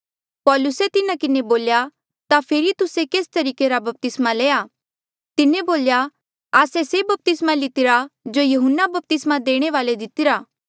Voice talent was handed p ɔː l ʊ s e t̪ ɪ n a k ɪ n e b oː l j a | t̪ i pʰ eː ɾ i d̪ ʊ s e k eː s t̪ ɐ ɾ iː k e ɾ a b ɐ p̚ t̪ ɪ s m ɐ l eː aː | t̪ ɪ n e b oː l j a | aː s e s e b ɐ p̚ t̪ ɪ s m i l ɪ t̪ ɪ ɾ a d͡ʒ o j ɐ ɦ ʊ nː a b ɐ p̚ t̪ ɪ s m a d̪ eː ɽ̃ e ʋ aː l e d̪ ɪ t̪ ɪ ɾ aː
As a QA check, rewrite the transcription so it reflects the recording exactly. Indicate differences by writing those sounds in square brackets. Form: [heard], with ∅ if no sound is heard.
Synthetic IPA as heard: p ɔː l ʊ s e t̪ ɪ n a k ɪ n e b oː l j a | t̪ [a] pʰ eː ɾ i [t̪] ʊ s e k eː s t̪ ɐ ɾ iː k e ɾ a b ɐ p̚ t̪ ɪ s m [a] l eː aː | t̪ ɪ n e b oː l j a | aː s e s e b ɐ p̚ t̪ ɪ s m [a] l ɪ t̪ ɪ ɾ a d͡ʒ o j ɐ ɦ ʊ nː a b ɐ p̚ t̪ ɪ s m a d̪ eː ɽ̃ e ʋ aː l e d̪ ɪ t̪ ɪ ɾ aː